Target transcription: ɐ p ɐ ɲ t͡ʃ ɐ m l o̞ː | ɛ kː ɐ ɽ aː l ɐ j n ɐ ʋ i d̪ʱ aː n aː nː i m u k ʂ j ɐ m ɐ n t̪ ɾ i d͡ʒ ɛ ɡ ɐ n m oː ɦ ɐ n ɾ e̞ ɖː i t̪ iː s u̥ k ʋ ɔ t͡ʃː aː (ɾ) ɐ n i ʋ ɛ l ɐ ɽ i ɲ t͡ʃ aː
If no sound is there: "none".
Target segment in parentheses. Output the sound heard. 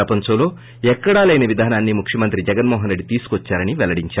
ɾ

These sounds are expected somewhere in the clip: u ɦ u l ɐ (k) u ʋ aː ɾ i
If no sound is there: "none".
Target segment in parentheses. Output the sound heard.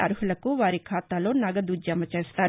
k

